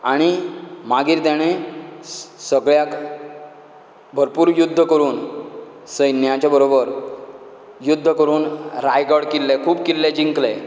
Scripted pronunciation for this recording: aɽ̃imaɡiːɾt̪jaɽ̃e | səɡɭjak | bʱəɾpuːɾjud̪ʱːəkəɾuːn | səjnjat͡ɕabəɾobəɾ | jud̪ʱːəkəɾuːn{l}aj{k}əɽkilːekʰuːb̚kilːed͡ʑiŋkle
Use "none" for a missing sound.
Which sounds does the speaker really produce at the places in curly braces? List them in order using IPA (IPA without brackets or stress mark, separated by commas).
ɾ, ɡ